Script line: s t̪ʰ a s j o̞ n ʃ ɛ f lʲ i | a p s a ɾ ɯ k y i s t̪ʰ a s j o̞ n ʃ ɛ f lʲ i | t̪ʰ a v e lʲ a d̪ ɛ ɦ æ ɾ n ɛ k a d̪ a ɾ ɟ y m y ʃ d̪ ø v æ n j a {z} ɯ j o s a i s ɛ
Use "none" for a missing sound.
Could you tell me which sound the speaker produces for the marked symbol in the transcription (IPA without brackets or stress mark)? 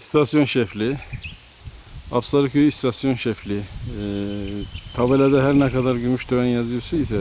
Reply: z